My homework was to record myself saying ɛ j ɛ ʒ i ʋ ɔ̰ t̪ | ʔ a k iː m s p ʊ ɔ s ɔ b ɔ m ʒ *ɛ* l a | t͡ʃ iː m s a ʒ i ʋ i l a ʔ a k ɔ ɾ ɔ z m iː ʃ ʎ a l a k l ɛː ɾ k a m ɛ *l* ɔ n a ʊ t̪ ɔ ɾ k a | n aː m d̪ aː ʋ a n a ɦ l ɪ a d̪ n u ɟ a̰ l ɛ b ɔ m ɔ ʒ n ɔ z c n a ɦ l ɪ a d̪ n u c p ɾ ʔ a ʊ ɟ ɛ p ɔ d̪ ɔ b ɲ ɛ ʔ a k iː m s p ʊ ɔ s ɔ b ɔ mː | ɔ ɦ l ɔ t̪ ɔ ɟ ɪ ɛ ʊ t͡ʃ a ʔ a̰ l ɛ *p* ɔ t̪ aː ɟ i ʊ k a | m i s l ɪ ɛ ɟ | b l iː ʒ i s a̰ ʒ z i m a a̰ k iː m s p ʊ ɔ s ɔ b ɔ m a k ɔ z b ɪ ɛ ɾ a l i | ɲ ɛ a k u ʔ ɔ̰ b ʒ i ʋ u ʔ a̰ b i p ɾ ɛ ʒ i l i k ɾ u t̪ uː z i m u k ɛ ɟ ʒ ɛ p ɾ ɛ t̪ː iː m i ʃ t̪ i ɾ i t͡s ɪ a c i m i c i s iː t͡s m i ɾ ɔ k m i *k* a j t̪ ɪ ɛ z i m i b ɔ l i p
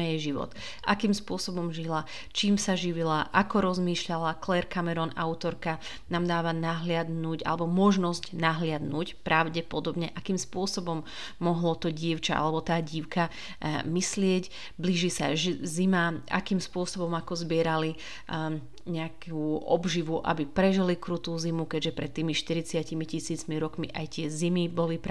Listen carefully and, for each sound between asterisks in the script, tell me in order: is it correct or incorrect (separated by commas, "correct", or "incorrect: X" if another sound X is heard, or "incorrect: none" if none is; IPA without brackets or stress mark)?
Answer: incorrect: i, incorrect: ɾ, incorrect: b, incorrect: ʔ